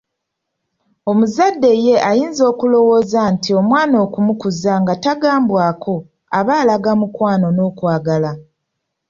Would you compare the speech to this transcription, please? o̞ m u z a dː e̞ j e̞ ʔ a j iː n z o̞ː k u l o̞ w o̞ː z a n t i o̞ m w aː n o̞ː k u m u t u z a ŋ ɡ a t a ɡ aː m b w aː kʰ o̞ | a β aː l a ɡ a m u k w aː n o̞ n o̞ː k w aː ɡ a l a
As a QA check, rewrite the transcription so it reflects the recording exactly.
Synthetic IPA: o̞ m u z a dː e̞ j e̞ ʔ a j iː n z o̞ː k u l o̞ w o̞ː z a n t i o̞ m w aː n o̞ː k u m u k u z a ŋ ɡ a t a ɡ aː m b w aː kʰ o̞ | a β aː l a ɡ a m u k w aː n o̞ n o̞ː k w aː ɡ a l a